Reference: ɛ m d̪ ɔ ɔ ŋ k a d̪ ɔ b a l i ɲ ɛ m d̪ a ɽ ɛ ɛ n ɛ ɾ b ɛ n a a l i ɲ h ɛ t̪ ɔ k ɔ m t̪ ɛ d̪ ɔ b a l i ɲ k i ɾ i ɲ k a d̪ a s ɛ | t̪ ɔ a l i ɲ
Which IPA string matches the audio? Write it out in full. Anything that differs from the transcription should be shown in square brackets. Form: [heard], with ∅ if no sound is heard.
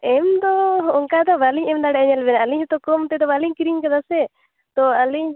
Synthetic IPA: ɛ m d̪ ɔ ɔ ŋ k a d̪ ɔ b a l i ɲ ɛ m d̪ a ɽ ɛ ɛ [ɲ] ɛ [l] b ɛ n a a l i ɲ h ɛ t̪ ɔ k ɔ m t̪ ɛ d̪ ɔ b a l i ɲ k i ɾ i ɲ k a d̪ a s ɛ | t̪ ɔ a l i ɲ